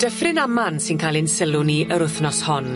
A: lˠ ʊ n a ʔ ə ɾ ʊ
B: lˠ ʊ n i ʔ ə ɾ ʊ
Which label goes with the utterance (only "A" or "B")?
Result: B